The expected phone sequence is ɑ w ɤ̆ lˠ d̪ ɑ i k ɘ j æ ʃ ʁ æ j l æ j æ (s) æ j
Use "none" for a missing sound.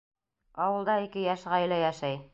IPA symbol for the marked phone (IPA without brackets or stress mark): ʃ